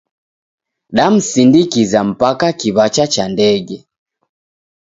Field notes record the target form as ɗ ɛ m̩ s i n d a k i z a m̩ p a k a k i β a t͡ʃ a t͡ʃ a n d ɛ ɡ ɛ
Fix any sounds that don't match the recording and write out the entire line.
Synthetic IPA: ɗ a m̩ s i n d i k i z a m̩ p a k a k i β a t͡ʃ a t͡ʃ a n d ɛ ɡ ɛ